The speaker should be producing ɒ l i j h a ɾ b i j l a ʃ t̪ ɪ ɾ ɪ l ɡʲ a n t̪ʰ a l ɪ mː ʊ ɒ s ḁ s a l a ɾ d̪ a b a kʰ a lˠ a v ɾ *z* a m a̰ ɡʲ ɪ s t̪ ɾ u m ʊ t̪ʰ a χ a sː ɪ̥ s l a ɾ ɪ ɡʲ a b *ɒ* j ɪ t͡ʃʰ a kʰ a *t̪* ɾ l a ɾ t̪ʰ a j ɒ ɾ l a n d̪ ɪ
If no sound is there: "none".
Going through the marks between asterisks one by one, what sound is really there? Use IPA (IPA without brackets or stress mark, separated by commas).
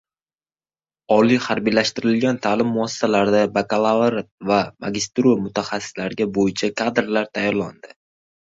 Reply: v, o, d̪